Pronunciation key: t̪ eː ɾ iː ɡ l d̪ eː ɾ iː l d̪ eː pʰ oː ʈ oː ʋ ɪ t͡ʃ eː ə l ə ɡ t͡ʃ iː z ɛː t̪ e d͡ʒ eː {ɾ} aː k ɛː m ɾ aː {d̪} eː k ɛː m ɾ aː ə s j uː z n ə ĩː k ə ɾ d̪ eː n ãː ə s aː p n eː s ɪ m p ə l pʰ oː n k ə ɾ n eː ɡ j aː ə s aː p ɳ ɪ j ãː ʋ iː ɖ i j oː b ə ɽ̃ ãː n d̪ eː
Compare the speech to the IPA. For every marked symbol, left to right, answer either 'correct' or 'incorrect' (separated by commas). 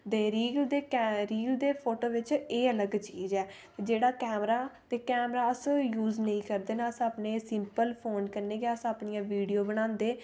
incorrect, incorrect